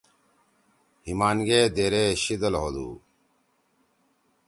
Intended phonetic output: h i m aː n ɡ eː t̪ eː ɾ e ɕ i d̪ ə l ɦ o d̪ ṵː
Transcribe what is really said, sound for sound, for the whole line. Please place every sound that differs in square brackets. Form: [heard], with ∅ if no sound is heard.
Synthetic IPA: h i m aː n ɡ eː [d̪] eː ɾ e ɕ i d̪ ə l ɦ o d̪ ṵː

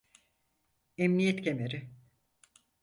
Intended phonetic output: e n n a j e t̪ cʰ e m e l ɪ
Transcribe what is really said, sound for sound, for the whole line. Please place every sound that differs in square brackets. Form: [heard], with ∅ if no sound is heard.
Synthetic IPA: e [m] n [i] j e t̪ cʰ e m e [ɾ] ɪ

